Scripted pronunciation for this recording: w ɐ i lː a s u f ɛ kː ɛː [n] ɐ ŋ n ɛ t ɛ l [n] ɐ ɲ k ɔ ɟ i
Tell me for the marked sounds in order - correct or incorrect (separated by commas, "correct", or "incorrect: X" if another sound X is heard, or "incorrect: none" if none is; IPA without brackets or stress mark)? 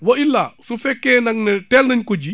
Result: correct, correct